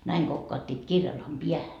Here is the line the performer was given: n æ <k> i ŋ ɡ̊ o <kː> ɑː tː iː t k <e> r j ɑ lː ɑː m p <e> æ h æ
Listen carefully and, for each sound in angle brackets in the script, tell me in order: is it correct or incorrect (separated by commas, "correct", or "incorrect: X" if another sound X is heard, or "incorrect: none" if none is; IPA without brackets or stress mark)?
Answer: incorrect: none, correct, incorrect: i, incorrect: i